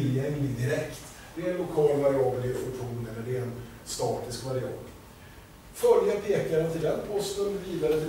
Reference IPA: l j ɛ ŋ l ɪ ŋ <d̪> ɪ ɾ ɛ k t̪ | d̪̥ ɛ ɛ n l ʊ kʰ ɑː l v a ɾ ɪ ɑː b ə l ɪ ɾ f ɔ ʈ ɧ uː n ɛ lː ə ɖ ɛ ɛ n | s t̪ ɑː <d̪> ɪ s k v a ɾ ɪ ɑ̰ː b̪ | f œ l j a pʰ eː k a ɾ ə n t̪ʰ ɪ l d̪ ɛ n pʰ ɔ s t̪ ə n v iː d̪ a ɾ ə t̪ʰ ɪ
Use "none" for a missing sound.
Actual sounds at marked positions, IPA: d̪, t̪

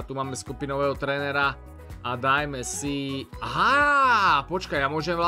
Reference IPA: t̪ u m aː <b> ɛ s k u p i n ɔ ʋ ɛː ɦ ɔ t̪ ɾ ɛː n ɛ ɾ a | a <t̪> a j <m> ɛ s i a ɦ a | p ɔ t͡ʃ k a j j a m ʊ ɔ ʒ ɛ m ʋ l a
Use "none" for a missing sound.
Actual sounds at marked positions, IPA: m, d̪, m

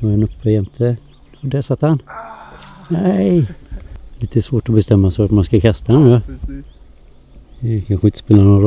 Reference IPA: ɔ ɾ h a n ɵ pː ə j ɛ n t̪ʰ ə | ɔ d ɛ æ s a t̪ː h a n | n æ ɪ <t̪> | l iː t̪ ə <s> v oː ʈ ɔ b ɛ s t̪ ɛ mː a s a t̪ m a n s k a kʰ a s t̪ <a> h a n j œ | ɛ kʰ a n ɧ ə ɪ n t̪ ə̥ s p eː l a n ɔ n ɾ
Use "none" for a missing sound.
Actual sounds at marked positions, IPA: none, s, a

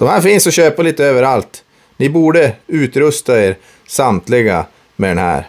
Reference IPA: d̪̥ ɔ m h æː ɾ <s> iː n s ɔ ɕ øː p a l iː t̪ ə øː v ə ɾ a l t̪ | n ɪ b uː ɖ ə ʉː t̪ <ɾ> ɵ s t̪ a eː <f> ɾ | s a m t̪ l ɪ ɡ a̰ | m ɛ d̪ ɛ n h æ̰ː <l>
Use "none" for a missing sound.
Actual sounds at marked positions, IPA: f, ɾ, none, ɾ

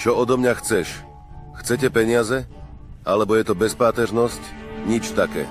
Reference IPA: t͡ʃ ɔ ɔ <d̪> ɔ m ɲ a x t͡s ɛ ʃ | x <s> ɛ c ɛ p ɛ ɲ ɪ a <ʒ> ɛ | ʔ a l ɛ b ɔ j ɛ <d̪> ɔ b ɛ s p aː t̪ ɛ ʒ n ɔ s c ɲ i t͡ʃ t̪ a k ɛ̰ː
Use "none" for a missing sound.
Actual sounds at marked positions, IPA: d̪, t͡s, z, t̪

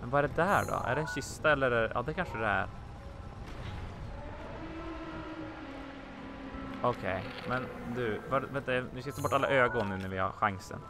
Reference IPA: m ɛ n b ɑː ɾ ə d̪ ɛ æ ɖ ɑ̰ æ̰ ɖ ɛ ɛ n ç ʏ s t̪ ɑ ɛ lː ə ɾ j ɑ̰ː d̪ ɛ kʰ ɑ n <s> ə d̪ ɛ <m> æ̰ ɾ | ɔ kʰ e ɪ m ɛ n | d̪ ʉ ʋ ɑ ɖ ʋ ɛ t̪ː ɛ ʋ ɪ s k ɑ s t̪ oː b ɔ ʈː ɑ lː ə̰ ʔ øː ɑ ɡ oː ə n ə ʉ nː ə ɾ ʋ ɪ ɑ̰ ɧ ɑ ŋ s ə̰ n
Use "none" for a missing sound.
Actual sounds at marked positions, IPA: ʂ, none

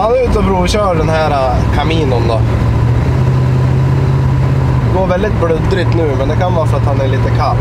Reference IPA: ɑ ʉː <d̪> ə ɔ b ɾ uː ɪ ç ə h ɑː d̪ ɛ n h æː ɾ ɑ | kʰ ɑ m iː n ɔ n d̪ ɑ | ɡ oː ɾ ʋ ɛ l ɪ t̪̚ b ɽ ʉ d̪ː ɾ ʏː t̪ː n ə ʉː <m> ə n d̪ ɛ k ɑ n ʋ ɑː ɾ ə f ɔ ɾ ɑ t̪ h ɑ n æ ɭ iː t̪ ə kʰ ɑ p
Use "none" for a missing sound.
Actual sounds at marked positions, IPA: t̪, m

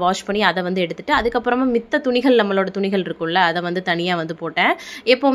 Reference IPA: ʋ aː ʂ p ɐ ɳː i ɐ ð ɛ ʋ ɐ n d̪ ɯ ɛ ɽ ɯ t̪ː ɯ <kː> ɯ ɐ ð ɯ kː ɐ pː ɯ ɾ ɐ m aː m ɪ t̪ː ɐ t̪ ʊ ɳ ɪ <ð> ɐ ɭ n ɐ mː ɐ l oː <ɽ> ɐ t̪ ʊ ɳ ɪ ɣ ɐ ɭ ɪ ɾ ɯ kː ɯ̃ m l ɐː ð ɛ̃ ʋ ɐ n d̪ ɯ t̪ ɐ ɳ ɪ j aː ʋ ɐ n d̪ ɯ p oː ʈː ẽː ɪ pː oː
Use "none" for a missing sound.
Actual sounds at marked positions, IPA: ʈː, ɣ, ɽ

